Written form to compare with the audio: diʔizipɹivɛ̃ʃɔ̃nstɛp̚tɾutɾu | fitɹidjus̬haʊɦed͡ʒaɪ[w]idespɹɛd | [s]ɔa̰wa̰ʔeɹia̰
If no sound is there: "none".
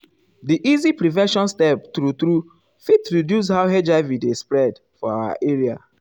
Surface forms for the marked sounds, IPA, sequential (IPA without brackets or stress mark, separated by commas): v, f